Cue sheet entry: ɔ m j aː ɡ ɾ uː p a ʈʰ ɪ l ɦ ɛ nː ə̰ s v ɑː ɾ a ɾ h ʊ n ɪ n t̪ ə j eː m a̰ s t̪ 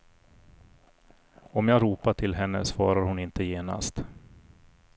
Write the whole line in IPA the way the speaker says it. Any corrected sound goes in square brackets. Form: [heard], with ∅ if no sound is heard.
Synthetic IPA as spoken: ɔ m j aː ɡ ɾ uː p a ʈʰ ɪ l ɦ ɛ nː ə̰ s v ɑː ɾ a ɾ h ʊ n ɪ n t̪ ə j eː [n] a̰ s t̪